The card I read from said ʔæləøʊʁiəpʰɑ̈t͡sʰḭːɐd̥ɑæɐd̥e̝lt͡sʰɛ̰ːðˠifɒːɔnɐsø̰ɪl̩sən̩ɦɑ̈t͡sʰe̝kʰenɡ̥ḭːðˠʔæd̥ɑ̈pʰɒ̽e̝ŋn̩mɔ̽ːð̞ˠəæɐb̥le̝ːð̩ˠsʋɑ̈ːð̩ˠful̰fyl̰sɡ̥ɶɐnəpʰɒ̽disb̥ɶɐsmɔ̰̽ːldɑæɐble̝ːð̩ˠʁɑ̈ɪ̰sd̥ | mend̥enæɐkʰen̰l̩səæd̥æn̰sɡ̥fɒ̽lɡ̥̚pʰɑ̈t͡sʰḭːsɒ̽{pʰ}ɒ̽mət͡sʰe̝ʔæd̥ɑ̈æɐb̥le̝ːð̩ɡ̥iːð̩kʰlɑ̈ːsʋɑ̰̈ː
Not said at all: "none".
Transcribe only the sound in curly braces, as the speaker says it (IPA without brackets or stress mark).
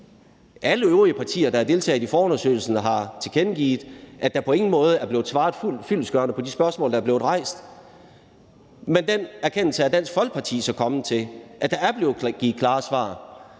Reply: kʰ